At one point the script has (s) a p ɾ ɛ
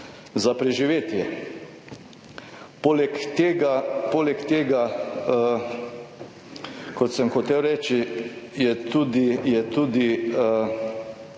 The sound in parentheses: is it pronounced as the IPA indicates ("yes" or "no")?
no